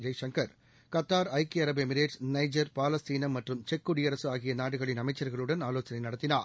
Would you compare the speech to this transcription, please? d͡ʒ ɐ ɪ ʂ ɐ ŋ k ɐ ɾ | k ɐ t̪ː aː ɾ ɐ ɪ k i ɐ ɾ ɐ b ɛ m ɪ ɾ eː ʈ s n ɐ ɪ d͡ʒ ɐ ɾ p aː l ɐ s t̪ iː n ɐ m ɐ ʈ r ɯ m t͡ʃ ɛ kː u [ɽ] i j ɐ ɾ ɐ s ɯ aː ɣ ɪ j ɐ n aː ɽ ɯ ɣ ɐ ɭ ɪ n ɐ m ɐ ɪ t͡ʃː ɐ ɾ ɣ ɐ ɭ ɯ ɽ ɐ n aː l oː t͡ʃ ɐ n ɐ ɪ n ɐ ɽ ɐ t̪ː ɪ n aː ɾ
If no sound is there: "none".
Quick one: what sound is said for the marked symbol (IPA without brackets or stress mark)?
ɽ